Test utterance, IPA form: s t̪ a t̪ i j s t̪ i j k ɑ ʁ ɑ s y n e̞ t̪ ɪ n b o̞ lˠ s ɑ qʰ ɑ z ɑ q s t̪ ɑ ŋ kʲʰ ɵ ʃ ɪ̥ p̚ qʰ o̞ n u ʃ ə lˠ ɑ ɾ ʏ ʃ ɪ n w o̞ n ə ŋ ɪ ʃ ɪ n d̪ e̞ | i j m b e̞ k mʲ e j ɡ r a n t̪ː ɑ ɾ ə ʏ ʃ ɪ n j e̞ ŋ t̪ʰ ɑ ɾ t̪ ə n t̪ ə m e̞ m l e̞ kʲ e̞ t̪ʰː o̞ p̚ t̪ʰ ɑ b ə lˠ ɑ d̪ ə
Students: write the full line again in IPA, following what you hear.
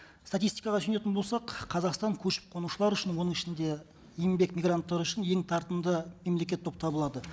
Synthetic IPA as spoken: s t̪ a t̪ i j s t̪ i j k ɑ ʁ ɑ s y n e̞ t̪ ɪ n b o̞ lˠ s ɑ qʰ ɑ z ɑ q s t̪ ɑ ŋ kʲʰ ɵ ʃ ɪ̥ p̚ qʰ o̞ n u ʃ ə lˠ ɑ ɾ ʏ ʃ ɪ n w o̞ n ə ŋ ɪ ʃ ɪ n d̪ e̞ | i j m b e̞ k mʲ i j ɡ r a n t̪ː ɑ ɾ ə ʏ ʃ ɪ n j e̞ ŋ t̪ʰ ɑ ɾ t̪ ə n d̪ ə m e̞ m l e̞ kʲ e̞ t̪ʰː o̞ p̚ t̪ʰ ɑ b ə lˠ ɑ d̪ ə